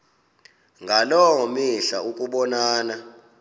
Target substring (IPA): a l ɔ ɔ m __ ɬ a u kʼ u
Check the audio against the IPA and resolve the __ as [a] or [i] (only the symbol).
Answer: i